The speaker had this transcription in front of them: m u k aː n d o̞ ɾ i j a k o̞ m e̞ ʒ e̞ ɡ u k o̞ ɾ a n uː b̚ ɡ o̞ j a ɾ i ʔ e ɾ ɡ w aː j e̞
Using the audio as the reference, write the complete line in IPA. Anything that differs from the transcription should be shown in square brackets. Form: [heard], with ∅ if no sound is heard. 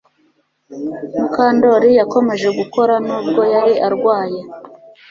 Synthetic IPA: m u k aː n d o̞ ɾ i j a k o̞ m e̞ ʒ e̞ ɡ u k o̞ ɾ a n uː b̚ ɡ o̞ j a ɾ i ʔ [a] ɾ ɡ w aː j e̞